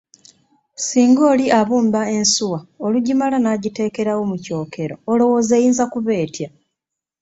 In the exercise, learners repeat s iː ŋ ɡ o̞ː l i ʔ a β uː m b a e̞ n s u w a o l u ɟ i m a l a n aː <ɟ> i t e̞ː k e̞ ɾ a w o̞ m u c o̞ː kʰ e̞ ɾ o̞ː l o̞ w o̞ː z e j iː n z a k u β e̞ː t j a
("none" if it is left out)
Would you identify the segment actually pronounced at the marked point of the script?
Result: ɟ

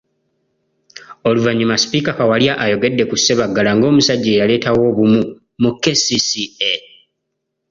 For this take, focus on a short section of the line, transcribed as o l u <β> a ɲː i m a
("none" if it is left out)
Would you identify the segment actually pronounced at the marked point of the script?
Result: v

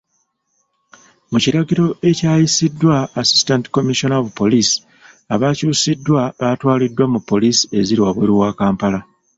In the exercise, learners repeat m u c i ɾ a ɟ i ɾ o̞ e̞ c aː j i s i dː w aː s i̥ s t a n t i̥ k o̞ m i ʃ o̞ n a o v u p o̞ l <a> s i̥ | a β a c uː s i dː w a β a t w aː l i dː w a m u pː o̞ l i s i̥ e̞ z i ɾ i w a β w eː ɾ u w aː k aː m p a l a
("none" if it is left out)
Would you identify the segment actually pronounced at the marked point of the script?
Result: i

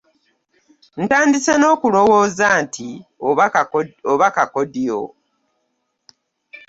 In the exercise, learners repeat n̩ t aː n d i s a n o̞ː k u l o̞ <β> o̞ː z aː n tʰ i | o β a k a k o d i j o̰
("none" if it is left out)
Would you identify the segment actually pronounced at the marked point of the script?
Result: w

